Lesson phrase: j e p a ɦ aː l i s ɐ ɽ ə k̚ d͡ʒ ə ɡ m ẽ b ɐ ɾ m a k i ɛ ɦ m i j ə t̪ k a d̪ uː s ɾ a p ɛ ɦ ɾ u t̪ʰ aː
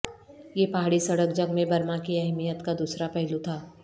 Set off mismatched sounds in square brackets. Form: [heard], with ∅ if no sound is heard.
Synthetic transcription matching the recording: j e p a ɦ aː [ɽ] i s ɐ ɽ ə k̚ d͡ʒ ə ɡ m ẽ b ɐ ɾ m a k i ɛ ɦ m i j ə t̪ k a d̪ uː s ɾ a p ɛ ɦ [l] u t̪ʰ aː